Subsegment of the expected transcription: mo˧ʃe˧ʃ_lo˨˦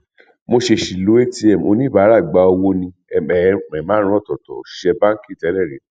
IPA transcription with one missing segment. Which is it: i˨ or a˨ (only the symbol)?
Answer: i˨